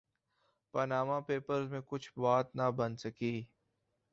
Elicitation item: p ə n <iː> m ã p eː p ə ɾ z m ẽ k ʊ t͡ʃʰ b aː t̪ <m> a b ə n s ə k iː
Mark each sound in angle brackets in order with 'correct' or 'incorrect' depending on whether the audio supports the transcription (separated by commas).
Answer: incorrect, incorrect